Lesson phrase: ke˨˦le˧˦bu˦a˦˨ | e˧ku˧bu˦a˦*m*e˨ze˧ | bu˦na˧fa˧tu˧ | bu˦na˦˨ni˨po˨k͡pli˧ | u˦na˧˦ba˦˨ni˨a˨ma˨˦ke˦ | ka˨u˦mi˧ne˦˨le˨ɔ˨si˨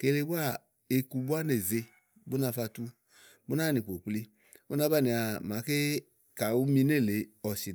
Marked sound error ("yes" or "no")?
yes